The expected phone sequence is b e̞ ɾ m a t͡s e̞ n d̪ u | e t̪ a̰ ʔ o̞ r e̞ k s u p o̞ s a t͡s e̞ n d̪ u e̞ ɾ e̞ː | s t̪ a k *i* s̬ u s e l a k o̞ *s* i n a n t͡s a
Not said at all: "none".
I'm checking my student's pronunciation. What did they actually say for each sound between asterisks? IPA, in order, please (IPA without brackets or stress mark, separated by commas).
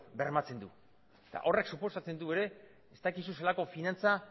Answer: i, f